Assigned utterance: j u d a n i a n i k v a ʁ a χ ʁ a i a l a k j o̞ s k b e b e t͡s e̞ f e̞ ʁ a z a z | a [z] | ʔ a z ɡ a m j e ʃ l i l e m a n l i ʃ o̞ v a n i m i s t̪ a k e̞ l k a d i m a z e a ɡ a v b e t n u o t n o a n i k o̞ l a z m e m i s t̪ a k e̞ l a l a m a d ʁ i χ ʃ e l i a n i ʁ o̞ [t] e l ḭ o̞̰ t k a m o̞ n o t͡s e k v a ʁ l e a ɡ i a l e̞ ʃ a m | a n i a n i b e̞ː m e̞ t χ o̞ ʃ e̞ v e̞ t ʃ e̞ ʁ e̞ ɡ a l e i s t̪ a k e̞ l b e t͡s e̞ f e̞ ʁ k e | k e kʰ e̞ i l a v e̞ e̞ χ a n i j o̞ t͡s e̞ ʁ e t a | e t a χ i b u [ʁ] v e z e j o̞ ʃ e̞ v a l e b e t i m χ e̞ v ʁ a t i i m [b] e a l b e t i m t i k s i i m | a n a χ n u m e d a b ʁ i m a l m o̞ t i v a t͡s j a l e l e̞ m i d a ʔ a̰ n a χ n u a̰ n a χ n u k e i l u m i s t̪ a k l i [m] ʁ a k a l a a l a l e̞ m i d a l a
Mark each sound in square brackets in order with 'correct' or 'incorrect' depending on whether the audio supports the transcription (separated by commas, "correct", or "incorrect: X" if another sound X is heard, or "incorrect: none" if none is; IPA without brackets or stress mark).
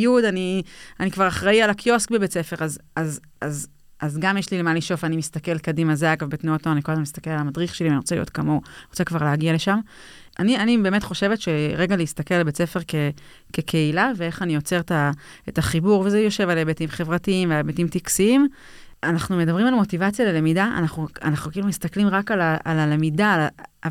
correct, incorrect: t͡s, correct, incorrect: v, correct